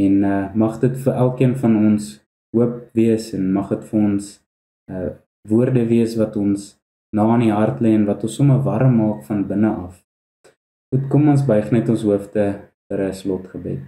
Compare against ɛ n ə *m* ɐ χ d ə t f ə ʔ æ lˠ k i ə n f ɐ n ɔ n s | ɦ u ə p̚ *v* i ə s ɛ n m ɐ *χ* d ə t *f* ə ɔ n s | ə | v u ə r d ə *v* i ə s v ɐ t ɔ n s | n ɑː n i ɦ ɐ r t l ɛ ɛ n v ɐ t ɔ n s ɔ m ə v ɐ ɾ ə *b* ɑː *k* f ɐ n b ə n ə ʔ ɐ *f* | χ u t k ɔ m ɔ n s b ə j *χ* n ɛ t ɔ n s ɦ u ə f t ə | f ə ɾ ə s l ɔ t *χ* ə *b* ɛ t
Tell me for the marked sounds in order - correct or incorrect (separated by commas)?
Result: correct, correct, correct, correct, correct, incorrect, correct, correct, correct, correct, correct